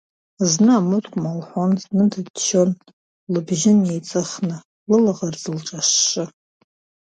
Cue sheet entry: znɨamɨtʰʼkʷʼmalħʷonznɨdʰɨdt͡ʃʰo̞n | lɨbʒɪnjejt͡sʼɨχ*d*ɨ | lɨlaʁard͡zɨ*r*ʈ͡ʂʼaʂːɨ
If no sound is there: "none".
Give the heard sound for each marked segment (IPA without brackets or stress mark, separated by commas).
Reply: n, l